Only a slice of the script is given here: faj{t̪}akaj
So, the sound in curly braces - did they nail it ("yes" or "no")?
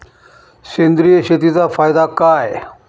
no